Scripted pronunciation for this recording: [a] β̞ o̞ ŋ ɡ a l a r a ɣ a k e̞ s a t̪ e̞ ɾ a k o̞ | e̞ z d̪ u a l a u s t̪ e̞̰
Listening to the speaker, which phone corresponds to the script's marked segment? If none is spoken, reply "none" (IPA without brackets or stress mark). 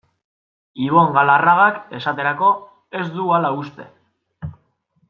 i